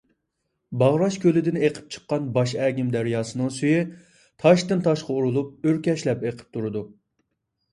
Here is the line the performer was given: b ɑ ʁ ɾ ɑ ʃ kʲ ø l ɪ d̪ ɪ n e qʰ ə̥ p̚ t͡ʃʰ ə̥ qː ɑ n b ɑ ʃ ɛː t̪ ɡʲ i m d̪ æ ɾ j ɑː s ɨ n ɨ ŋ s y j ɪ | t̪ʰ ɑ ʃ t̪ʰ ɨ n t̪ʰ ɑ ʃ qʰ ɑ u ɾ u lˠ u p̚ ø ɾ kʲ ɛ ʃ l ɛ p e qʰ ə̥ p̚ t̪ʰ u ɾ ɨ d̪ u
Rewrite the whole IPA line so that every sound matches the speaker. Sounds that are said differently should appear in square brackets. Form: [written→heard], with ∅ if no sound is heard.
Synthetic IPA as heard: b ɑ ʁ ɾ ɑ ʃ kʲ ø l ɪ d̪ ɪ n e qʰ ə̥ p̚ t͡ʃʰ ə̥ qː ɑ n b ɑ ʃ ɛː [t̪→∅] ɡʲ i m d̪ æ ɾ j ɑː s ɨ n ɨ ŋ s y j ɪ | t̪ʰ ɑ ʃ [t̪ʰ→t̪] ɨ n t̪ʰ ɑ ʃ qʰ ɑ u ɾ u lˠ u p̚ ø ɾ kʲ ɛ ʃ l ɛ p e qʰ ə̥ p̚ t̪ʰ u ɾ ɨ d̪ u